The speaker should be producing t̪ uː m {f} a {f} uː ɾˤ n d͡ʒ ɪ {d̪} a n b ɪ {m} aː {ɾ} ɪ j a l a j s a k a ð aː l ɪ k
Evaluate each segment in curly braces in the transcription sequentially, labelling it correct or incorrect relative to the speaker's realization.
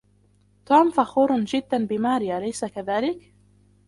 correct, incorrect, incorrect, correct, correct

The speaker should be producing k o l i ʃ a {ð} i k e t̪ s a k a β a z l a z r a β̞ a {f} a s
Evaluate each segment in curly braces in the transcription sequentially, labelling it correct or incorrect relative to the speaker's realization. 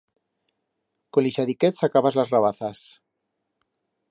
correct, incorrect

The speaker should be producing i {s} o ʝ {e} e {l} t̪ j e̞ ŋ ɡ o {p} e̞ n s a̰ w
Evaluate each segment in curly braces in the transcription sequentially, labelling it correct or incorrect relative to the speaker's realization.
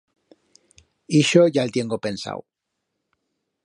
incorrect, incorrect, correct, correct

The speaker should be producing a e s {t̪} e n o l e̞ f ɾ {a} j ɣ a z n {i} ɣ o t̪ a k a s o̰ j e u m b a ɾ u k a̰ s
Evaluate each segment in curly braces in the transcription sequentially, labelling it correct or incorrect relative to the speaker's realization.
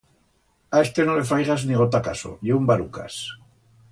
correct, correct, correct

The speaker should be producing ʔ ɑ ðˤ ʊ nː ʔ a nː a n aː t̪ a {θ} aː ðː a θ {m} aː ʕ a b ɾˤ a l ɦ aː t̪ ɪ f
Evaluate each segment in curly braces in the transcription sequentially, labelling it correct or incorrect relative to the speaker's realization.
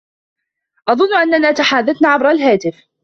incorrect, incorrect

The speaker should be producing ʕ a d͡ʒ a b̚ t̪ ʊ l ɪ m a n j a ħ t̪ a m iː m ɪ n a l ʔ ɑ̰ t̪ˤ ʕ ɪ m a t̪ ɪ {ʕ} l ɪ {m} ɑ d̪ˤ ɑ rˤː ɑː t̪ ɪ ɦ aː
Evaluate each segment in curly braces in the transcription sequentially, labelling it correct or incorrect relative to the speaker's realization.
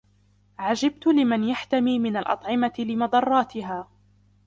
incorrect, correct

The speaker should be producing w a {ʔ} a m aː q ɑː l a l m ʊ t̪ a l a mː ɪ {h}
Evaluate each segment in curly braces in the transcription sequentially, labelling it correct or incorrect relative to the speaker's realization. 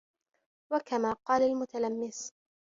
incorrect, incorrect

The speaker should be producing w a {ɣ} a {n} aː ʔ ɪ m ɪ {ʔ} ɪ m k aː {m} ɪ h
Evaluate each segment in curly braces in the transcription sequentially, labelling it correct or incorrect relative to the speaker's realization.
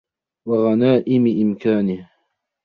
correct, correct, correct, incorrect

